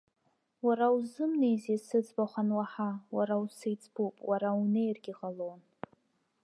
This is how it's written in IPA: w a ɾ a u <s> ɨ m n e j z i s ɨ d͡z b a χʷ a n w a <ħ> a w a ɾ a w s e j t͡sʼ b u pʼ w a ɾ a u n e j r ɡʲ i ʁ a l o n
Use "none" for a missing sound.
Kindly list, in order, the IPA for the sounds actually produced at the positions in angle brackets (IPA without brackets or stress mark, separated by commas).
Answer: z, ħ